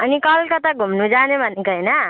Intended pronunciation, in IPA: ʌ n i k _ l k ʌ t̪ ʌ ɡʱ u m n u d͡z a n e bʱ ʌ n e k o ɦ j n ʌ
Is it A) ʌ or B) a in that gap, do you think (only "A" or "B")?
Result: A